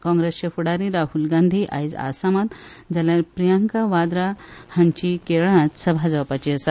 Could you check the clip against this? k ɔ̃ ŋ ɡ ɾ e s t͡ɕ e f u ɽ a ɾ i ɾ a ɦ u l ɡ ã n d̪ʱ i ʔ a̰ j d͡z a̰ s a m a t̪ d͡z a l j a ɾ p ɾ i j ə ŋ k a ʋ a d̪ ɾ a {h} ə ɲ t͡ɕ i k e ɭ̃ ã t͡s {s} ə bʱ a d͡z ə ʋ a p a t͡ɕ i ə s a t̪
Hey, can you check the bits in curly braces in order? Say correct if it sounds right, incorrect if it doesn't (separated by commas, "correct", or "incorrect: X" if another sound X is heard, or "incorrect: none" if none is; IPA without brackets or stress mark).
correct, correct